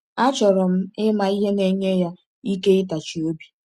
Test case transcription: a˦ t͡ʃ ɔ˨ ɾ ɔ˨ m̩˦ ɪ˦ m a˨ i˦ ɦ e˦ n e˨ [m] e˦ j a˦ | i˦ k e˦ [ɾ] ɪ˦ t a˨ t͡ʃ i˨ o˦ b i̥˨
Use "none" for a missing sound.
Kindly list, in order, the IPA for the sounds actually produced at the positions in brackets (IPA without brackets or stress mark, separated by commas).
ɲ, none